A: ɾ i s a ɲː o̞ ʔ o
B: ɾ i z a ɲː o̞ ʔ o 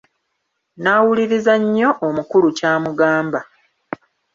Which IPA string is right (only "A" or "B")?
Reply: B